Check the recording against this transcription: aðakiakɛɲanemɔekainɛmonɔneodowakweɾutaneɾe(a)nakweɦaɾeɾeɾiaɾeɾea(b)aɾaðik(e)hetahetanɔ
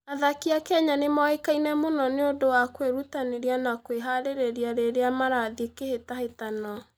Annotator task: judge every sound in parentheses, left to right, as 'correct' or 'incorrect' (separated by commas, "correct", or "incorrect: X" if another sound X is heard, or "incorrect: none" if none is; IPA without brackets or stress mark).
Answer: correct, incorrect: m, correct